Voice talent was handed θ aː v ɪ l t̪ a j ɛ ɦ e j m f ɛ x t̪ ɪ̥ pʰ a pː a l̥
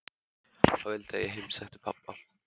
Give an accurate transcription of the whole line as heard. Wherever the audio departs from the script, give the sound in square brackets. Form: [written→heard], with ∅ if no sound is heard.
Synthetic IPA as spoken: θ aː v ɪ l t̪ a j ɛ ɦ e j m [f→s] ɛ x t̪ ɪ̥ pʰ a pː a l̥